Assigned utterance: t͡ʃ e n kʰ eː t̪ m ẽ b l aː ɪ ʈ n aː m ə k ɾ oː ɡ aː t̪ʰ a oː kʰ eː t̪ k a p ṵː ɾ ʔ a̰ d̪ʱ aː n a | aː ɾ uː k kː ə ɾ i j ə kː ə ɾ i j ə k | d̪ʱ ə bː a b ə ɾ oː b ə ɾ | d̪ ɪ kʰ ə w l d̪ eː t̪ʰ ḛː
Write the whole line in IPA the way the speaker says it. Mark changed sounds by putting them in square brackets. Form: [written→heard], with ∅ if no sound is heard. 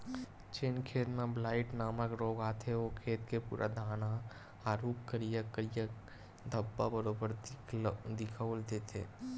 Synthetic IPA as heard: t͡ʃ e n kʰ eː t̪ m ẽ b l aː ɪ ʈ n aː m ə k ɾ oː ɡ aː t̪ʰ [a→e] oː kʰ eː t̪ k [a→e] p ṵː ɾ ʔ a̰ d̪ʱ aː n a | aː ɾ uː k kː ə ɾ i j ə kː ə ɾ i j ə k | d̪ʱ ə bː a b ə ɾ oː b ə ɾ | d̪ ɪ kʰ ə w l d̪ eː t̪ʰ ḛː